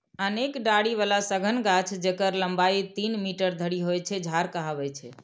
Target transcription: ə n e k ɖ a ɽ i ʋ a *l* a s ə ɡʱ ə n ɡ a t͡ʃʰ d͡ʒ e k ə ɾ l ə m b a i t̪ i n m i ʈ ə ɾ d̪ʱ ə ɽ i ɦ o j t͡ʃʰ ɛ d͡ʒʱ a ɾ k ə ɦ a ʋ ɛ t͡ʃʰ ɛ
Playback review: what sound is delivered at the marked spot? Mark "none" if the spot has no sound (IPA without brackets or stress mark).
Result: l